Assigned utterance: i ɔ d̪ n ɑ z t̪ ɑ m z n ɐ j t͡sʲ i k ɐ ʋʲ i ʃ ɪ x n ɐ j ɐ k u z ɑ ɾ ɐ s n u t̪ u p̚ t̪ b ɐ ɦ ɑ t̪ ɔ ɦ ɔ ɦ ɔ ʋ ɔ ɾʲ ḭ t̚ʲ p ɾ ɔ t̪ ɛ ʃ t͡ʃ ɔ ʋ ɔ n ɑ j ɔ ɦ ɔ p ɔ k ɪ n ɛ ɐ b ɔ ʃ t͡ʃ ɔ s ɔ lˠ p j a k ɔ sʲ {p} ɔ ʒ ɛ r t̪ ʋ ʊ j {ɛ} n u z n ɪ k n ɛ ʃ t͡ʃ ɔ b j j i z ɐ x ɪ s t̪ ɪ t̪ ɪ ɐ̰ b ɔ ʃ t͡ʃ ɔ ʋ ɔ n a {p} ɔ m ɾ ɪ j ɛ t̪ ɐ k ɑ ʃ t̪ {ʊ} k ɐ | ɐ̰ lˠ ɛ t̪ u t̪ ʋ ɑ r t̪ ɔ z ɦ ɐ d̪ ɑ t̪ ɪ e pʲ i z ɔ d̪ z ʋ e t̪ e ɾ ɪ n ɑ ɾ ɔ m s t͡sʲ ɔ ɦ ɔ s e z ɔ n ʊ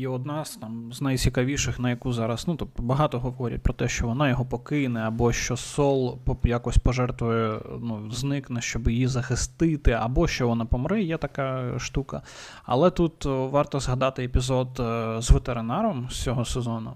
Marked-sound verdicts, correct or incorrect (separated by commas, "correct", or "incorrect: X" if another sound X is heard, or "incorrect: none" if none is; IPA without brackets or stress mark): correct, correct, correct, incorrect: u